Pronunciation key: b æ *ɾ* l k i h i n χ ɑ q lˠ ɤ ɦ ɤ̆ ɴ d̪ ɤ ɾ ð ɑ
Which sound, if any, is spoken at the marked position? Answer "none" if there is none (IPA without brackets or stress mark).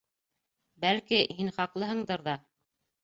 none